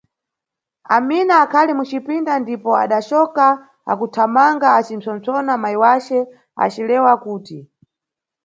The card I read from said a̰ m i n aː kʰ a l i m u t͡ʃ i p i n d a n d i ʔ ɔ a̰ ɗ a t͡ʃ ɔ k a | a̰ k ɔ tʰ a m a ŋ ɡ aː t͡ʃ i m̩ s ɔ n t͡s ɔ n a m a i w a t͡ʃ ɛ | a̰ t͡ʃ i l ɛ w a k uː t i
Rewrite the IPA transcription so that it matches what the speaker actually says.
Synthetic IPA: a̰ m i n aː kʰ a l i m u t͡ʃ i p i n d a n d i p ɔ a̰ ɗ a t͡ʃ ɔ k a | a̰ k u tʰ a m a ŋ ɡ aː t͡ʃ i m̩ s ɔ n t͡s ɔ n a m a i w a t͡ʃ ɛ | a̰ t͡ʃ i l ɛ w a k uː t i